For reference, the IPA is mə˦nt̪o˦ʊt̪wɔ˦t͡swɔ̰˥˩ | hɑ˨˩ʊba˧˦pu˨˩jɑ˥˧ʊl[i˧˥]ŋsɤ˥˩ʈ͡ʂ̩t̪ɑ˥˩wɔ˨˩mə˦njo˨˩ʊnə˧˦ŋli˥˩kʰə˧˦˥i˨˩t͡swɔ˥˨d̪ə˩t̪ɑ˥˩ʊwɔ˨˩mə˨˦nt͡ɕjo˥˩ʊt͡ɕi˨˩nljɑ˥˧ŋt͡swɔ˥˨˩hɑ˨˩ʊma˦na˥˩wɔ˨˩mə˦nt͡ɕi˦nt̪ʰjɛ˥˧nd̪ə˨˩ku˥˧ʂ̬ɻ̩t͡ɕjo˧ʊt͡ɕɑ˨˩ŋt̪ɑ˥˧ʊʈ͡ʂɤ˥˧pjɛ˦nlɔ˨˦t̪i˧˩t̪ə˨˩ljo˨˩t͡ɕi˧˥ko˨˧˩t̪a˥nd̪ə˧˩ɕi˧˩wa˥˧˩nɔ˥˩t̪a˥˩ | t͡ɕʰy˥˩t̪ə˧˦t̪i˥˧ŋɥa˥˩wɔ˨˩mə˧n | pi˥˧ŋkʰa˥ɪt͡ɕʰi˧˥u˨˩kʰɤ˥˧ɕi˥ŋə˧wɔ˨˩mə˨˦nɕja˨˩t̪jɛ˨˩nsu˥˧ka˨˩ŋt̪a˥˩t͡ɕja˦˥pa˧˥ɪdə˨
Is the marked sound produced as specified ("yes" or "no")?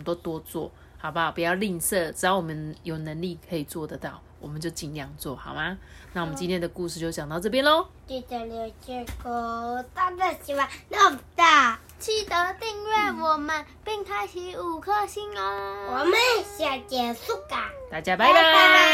no